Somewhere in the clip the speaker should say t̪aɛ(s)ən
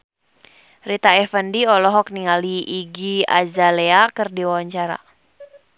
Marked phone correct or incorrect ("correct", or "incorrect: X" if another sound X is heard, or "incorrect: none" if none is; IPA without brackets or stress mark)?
incorrect: f